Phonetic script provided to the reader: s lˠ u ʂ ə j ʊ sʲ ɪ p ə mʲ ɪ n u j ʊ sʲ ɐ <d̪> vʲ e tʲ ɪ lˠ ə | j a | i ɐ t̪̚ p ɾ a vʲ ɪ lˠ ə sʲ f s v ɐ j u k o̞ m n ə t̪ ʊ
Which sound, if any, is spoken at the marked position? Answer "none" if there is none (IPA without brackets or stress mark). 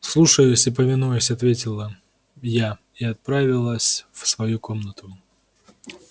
t̪